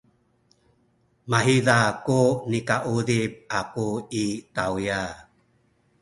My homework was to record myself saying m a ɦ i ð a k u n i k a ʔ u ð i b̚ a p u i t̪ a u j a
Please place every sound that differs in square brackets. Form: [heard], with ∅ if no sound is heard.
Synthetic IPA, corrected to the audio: m a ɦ i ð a k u n i k a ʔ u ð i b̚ a [k] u i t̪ a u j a